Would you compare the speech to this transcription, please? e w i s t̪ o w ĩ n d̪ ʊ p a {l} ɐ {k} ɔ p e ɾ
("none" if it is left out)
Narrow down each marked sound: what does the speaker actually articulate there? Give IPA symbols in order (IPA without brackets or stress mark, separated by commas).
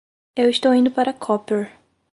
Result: ɾ, kʰ